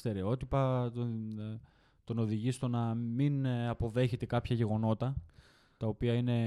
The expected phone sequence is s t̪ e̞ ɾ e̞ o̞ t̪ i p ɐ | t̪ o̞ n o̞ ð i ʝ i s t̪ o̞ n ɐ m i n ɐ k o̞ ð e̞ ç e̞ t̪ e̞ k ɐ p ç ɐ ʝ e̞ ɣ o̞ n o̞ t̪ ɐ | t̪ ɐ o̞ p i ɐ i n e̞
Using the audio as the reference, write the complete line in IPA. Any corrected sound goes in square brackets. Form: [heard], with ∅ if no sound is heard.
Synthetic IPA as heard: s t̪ e̞ ɾ e̞ o̞ t̪ i p ɐ | t̪ o̞ n o̞ ð i ʝ i s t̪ o̞ n ɐ m i n ɐ [p] o̞ ð e̞ ç e̞ t̪ e̞ k ɐ p ç ɐ ʝ e̞ ɣ o̞ n o̞ t̪ ɐ | t̪ ɐ o̞ p i ɐ i n e̞